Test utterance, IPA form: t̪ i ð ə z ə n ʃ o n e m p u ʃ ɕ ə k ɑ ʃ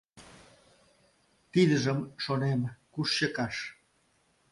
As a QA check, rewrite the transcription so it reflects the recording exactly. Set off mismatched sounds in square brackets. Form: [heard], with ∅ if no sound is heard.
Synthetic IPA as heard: t̪ i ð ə [ʒ] ə [m] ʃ o n e m [k] u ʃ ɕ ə k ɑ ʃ